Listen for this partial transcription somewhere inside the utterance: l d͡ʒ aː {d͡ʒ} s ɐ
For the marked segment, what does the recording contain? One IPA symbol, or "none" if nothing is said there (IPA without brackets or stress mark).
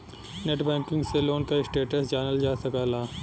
none